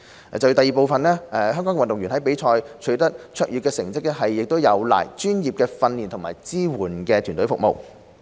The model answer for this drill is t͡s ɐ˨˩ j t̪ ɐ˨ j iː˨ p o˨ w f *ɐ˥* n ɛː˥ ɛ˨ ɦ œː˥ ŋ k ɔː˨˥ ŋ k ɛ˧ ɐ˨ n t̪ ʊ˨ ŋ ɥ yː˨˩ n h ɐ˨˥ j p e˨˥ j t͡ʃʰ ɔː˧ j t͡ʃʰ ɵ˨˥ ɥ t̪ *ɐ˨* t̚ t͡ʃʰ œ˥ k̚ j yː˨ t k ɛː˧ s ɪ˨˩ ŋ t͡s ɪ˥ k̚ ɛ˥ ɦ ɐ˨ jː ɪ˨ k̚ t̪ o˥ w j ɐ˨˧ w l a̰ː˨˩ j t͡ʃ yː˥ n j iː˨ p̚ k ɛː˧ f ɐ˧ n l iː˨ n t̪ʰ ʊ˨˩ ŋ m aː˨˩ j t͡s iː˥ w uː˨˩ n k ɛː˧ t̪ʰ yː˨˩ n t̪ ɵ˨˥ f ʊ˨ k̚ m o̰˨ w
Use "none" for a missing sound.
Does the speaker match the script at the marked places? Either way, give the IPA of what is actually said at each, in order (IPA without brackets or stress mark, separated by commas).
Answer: ɐ˨, ɐ˥